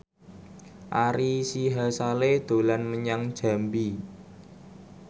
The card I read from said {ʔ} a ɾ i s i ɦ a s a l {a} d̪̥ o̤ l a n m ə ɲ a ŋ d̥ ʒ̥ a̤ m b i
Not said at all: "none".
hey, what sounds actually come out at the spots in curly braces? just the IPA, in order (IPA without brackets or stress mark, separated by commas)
ʔ, e